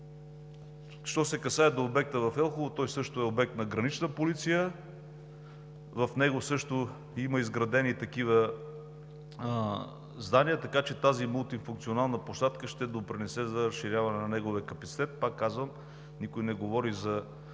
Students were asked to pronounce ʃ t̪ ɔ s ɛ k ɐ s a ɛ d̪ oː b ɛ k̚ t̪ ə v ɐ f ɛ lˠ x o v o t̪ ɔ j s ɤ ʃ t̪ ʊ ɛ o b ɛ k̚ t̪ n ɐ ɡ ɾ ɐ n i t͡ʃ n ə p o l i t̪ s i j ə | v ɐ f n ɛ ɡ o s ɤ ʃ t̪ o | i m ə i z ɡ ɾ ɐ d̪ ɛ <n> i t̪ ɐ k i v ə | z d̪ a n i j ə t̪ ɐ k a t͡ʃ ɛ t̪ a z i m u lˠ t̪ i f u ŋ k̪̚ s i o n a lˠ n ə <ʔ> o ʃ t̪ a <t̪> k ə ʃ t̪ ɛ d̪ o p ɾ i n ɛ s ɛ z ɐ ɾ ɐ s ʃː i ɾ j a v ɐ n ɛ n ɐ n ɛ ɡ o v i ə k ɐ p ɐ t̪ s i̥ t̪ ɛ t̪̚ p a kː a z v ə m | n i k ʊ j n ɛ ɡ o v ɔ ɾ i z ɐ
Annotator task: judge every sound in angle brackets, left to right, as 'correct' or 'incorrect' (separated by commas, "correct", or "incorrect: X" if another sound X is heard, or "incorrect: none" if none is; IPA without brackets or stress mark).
correct, incorrect: p, correct